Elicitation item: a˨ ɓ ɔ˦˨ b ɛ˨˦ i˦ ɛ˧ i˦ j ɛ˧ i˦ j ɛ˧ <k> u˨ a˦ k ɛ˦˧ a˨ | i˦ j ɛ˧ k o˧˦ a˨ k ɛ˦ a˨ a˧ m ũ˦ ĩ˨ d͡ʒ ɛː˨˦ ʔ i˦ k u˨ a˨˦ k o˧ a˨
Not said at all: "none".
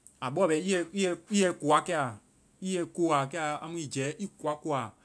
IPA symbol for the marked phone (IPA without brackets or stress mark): k